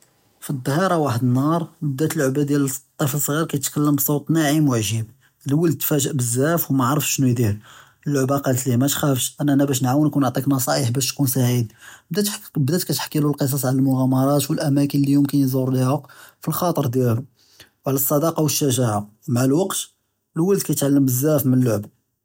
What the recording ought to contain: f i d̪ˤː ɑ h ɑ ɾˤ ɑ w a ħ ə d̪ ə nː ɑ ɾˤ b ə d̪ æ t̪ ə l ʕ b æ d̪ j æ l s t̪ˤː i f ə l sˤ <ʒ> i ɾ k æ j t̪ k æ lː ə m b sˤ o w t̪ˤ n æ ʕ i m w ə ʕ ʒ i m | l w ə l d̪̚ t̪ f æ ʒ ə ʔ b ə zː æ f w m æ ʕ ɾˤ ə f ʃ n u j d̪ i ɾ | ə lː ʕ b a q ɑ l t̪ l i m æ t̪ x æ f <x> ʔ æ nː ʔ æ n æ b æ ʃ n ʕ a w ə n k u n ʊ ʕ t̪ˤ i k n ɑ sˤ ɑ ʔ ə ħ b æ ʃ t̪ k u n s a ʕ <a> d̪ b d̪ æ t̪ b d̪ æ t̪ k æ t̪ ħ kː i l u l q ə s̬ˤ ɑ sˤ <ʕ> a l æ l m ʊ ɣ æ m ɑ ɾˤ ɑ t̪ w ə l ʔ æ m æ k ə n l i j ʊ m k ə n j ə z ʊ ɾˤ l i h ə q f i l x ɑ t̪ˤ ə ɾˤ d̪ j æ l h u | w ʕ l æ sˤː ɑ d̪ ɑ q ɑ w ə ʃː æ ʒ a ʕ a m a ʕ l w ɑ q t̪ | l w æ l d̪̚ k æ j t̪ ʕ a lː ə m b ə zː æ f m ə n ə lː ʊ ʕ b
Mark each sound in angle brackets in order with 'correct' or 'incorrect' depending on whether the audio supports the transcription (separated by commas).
incorrect, incorrect, incorrect, correct